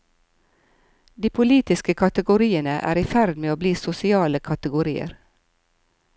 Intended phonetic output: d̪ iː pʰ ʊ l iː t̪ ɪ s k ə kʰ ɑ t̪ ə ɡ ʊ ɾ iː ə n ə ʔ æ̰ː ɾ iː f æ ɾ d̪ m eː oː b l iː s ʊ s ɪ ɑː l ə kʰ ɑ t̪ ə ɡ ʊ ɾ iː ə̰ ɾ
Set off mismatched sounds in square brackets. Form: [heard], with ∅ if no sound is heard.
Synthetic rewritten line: d̪ iː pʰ ʊ l iː t̪ ɪ s k ə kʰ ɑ t̪ ə ɡ ʊ ɾ iː ə n ə ʔ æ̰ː ɾ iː f æ ɾ d̪ m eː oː b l iː s ʊ s ɪ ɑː l ə kʰ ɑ t̪ ə ɡ ʊ ɾ iː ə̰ ɾ